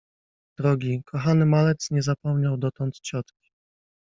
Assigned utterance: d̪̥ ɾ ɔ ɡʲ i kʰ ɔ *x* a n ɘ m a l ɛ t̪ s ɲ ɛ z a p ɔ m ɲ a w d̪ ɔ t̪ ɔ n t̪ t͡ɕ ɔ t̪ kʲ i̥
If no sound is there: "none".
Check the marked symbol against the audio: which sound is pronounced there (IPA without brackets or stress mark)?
x